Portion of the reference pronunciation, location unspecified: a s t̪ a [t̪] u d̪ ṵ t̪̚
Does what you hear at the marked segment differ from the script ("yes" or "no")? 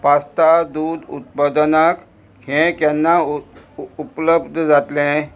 yes